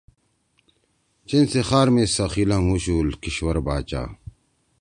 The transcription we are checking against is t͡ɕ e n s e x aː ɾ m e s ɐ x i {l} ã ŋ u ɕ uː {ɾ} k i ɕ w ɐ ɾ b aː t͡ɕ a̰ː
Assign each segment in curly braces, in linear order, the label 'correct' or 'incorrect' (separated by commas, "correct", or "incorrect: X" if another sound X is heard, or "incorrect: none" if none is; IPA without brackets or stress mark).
correct, incorrect: l